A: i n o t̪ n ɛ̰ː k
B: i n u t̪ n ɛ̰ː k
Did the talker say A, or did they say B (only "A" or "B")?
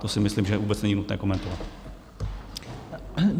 B